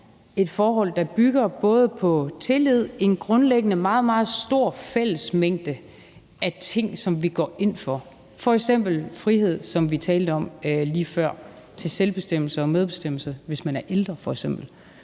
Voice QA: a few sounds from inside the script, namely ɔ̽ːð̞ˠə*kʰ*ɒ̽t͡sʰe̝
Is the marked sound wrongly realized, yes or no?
yes